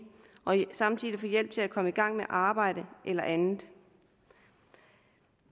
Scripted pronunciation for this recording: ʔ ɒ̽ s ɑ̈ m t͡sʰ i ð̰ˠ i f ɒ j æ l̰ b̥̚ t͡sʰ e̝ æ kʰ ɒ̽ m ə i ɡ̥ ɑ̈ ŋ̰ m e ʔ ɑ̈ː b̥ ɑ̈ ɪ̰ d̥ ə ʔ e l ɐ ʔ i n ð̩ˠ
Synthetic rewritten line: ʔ ɒ̽ s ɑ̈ m t͡sʰ i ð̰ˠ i f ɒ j e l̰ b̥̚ t͡sʰ e̝ æ kʰ ɒ̽ m ə i ɡ̥ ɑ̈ ŋ̰ m e ʔ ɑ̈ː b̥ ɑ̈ ɪ̰ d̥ ə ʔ e l ɐ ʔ æ n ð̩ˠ